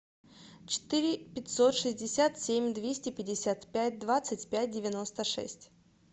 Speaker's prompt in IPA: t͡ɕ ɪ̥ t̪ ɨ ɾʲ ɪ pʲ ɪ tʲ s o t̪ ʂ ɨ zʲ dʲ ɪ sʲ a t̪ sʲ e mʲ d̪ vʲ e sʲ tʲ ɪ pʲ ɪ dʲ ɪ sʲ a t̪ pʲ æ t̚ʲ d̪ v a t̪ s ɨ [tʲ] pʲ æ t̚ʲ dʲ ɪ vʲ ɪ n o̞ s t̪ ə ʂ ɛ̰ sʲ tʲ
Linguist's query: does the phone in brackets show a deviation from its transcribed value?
no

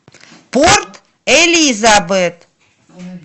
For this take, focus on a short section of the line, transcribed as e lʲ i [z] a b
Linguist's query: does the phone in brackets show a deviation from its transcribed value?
no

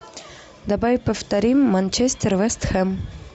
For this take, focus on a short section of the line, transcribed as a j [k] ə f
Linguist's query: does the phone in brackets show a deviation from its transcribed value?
yes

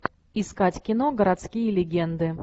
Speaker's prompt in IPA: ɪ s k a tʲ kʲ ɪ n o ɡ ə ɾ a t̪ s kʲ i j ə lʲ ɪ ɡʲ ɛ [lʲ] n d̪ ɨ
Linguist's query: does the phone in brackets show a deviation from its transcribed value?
yes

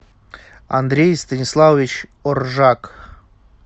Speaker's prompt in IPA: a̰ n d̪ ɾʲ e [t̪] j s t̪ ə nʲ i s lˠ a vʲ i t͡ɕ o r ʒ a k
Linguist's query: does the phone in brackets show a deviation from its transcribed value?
yes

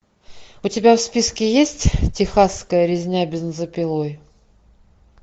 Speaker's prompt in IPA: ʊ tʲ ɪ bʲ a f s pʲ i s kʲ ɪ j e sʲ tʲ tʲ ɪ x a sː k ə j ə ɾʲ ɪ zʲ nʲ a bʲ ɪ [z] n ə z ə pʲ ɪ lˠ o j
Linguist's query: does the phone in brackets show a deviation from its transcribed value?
no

